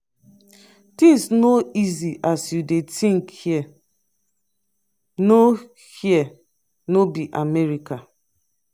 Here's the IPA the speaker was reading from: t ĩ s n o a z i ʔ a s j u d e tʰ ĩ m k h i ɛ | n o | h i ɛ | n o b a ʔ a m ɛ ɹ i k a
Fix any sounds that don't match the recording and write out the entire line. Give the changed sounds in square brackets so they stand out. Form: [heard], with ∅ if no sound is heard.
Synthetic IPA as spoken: t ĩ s n o [i] z i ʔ a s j u d e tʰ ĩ [ŋ] k h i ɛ | n o | h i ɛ | n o b [i] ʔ a m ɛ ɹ i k a